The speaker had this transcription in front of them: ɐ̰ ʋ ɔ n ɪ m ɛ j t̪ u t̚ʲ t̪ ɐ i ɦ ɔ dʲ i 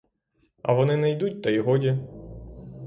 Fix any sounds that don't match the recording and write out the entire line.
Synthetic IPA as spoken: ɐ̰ ʋ ɔ n ɪ n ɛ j d̪ u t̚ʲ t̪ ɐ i ɦ ɔ dʲ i